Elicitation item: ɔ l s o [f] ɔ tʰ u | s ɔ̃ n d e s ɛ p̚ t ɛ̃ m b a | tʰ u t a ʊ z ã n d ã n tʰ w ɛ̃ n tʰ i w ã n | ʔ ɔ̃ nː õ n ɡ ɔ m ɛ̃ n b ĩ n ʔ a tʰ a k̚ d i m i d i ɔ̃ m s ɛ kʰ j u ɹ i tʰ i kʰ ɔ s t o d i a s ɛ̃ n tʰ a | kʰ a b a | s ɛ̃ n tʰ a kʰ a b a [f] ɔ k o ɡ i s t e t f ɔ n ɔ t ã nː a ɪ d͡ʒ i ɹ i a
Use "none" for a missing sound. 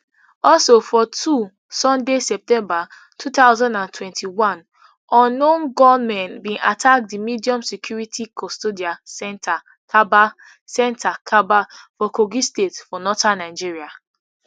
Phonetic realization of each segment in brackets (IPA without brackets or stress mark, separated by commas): f, f